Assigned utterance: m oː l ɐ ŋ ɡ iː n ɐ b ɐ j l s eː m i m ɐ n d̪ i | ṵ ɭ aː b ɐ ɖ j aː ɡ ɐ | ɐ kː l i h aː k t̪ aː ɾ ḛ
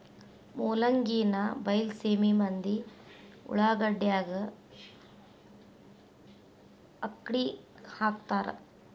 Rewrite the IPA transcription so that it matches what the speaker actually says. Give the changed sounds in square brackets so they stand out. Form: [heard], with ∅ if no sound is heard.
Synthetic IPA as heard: m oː l ɐ ŋ ɡ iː n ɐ b ɐ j l s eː m i m ɐ n d̪ i | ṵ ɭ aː [ɡ] ɐ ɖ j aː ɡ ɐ | ɐ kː [ɽ] i h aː k t̪ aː ɾ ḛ